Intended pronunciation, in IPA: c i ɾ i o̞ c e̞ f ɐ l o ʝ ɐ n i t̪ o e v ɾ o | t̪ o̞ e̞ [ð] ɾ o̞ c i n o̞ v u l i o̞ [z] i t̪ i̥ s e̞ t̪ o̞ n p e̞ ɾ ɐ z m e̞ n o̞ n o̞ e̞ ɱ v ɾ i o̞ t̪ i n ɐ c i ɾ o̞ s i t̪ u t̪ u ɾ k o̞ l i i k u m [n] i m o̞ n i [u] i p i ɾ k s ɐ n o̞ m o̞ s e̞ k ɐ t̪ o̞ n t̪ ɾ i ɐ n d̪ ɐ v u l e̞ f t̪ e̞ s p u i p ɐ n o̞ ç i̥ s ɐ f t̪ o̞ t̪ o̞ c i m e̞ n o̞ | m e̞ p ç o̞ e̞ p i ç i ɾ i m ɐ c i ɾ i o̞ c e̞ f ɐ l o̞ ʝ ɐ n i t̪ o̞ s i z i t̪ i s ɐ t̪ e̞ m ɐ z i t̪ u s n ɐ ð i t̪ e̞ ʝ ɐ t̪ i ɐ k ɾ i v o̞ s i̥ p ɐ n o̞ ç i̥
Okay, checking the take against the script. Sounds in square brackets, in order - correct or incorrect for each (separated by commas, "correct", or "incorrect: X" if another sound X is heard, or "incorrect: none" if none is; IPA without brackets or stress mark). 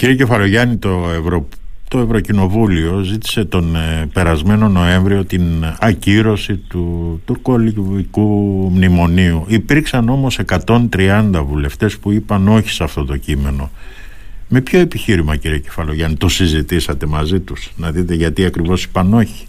incorrect: v, correct, correct, correct